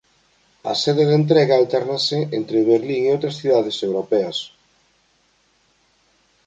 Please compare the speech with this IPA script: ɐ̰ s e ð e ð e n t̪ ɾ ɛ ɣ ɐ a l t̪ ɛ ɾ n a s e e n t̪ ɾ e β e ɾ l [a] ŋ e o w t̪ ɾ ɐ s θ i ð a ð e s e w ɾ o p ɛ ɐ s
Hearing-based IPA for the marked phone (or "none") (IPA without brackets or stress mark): i